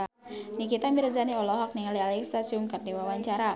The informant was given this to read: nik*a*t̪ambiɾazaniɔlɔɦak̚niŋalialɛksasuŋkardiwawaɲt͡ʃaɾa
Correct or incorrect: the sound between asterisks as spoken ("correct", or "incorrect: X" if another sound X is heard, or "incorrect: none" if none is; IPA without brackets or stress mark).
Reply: incorrect: i